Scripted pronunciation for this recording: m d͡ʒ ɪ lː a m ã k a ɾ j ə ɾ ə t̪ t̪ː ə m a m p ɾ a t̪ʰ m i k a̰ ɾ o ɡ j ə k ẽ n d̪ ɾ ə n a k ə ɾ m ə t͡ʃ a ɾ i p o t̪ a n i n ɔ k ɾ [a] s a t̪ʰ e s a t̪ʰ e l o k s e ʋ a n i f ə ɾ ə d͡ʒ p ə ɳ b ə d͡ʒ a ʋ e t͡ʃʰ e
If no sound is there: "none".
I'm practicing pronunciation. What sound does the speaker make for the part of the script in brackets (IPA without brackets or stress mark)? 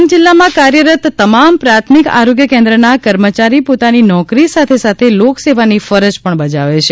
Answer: i